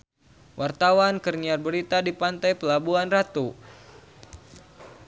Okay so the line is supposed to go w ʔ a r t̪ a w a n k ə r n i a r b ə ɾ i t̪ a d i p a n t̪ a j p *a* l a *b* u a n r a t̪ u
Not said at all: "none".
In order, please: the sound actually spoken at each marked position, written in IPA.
ə, b

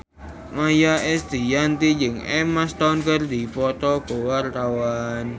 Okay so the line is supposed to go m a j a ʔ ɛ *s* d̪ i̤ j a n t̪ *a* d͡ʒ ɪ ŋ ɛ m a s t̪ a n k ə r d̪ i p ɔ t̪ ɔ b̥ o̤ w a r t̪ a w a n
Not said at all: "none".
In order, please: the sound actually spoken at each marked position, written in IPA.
s, i

